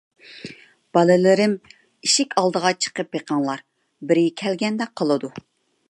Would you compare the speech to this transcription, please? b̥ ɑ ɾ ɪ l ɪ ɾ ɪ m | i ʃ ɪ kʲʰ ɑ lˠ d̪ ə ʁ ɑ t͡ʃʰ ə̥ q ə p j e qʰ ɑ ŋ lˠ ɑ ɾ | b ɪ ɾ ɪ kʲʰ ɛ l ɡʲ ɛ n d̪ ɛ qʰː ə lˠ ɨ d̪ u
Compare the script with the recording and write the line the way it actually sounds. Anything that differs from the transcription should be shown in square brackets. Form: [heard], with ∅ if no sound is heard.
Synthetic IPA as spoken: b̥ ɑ [l] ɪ l ɪ ɾ ɪ m | i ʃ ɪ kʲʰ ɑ lˠ d̪ ə ʁ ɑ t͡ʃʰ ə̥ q ə p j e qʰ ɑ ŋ lˠ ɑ ɾ | b ɪ ɾ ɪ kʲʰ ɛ l ɡʲ ɛ n d̪ ɛ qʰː ə lˠ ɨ d̪ u